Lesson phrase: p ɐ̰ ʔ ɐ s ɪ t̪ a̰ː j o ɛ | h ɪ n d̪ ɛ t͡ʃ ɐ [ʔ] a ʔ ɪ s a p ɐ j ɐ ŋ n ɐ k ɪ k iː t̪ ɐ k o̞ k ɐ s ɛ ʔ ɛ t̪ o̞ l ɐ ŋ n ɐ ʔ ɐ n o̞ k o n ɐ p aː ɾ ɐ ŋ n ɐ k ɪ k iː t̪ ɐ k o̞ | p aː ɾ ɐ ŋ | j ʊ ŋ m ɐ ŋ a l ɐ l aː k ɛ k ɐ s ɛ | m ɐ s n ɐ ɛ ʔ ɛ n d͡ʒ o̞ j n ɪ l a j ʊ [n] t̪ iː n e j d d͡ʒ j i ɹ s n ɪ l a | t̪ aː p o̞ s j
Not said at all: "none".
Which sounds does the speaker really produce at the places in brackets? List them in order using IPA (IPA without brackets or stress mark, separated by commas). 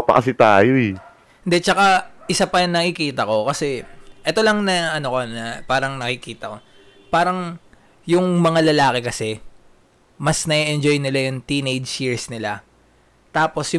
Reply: k, ŋ